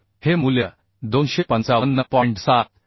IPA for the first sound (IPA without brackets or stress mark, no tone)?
h